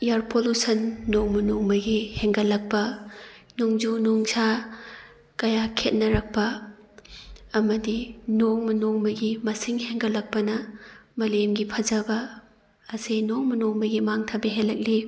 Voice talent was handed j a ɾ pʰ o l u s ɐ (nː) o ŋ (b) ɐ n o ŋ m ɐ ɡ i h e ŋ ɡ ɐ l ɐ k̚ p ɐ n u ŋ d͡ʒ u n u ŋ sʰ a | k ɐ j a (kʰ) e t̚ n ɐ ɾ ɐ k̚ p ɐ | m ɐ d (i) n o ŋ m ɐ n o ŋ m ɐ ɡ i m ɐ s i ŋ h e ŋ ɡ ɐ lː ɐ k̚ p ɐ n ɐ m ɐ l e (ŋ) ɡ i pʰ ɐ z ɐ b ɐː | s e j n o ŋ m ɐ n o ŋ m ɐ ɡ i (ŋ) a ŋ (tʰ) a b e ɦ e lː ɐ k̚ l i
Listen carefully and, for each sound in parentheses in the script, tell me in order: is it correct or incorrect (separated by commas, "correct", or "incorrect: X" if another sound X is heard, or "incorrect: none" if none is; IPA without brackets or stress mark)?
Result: correct, incorrect: m, correct, correct, incorrect: m, incorrect: m, correct